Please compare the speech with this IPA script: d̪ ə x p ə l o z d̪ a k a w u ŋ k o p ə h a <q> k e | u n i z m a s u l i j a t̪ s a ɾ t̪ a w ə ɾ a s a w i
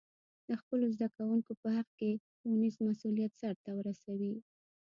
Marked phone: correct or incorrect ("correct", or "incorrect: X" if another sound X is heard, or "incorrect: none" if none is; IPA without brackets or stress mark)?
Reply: correct